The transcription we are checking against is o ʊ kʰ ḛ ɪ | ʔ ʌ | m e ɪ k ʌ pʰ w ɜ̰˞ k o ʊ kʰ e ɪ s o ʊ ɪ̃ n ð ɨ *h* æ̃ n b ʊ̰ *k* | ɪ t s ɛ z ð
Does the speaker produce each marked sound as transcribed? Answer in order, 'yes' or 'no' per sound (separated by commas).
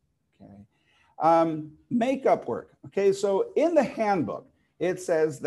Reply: yes, yes